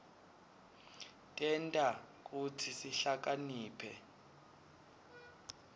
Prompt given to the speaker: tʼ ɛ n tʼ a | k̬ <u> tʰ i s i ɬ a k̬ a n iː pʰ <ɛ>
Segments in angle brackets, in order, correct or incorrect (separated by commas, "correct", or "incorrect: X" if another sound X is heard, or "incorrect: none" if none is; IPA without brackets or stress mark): correct, correct